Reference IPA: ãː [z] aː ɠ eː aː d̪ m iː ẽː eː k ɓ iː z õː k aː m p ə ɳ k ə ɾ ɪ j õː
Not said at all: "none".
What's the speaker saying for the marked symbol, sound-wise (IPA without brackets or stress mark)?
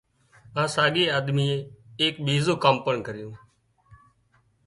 s